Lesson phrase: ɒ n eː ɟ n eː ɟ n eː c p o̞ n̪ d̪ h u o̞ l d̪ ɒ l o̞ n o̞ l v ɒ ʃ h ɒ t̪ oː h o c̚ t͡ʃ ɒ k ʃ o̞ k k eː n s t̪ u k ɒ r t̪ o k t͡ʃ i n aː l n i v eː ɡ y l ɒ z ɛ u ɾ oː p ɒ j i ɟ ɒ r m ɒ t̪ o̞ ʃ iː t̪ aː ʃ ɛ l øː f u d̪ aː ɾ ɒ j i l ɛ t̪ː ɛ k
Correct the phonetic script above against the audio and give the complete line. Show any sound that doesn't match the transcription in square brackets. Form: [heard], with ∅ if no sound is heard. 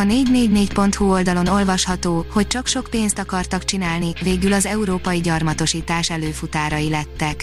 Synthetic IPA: ɒ n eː ɟ n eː ɟ n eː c p o̞ n̪ [t̪] h u o̞ l d̪ ɒ l o̞ n o̞ l v ɒ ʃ h ɒ t̪ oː h o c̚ t͡ʃ ɒ k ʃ o̞ k [p] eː n s t̪ [ɒ] k ɒ r t̪ [ɒ] k t͡ʃ i n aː l n i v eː ɡ y l ɒ z ɛ u ɾ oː p ɒ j i ɟ ɒ r m ɒ t̪ o̞ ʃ iː t̪ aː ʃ ɛ l øː f u [t̪] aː ɾ ɒ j i l ɛ t̪ː ɛ k